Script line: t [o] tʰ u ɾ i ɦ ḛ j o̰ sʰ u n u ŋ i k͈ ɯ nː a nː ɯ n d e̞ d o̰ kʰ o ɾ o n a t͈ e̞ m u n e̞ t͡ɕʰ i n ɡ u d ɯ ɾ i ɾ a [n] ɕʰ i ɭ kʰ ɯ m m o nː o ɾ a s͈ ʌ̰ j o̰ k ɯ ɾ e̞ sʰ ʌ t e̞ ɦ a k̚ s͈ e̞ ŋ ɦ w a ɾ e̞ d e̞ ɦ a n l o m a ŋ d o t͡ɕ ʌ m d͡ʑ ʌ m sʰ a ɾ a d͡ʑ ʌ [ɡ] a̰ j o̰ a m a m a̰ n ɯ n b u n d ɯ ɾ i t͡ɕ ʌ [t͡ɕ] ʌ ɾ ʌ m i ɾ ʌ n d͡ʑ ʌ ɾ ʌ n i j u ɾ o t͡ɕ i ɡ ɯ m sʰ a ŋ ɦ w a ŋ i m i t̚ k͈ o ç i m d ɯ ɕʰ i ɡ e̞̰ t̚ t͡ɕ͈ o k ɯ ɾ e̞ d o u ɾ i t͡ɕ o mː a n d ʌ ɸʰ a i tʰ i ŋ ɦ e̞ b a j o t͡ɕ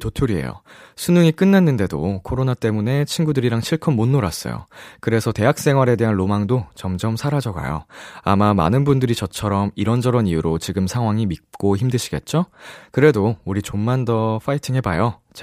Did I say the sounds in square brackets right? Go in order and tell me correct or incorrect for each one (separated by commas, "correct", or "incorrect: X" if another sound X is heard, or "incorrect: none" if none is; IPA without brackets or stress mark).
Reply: correct, incorrect: ŋ, correct, incorrect: t͡ɕʰ